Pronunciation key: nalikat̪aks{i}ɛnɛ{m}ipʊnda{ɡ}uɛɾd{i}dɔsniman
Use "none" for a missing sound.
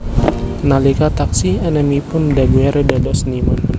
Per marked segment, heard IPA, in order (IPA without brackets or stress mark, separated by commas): i, m, ɡ, a